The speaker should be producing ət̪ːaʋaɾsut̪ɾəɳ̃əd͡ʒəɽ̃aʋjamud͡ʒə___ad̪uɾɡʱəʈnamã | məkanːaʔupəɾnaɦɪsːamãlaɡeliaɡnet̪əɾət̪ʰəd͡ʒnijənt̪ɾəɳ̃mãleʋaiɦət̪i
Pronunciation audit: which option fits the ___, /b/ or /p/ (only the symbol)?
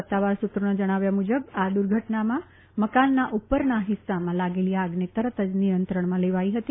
b